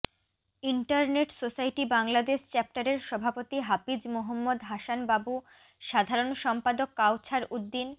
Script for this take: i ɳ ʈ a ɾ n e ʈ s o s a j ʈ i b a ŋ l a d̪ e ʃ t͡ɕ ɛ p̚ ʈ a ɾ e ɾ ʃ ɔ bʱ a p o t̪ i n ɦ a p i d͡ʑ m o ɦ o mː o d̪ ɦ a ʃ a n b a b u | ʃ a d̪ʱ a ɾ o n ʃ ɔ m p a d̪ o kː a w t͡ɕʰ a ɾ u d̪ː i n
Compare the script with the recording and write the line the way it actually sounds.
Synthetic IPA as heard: i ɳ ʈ a ɾ n e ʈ s o s a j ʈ i b a ŋ l a d̪ e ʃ t͡ɕ ɛ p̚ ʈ a ɾ e ɾ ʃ ɔ bʱ a p o t̪ i ɦ a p i d͡ʑ m o ɦ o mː o d̪ ɦ a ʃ a n b a b u | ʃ a d̪ʱ a ɾ o n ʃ ɔ m p a d̪ o kː a w t͡ɕʰ a ɾ u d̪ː i n